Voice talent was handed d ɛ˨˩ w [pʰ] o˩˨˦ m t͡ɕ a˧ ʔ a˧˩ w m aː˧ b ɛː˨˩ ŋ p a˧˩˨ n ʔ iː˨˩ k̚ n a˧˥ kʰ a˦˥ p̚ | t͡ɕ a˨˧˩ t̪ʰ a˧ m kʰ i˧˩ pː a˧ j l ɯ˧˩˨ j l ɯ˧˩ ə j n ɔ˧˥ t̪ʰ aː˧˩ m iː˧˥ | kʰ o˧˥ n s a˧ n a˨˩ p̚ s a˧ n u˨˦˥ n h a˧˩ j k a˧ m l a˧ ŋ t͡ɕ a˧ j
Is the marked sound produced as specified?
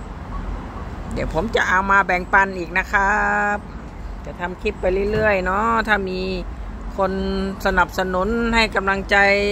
yes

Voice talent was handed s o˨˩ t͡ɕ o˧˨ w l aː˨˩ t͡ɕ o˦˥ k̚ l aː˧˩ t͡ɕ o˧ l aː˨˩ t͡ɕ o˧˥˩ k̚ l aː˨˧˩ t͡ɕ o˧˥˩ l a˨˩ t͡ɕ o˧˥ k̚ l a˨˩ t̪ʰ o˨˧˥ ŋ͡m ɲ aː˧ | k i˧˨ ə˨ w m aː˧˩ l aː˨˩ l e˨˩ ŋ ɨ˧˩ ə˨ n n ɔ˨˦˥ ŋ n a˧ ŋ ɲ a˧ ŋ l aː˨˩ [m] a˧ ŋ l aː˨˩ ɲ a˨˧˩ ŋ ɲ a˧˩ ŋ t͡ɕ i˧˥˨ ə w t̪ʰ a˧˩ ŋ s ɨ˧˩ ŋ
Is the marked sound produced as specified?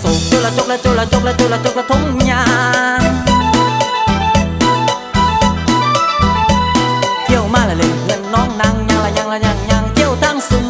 no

